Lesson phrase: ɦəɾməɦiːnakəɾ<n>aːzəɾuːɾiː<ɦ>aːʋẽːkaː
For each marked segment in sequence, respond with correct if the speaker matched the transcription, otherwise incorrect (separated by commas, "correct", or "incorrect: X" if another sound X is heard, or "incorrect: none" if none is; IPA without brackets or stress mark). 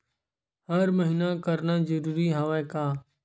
correct, correct